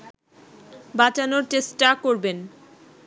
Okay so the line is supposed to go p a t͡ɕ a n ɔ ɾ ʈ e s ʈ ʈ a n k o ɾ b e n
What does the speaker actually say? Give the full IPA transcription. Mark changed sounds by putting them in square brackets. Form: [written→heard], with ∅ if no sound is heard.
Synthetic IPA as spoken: [p→b] a t͡ɕ a n [ɔ→o] ɾ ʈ e s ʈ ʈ a [n→∅] k o ɾ b e n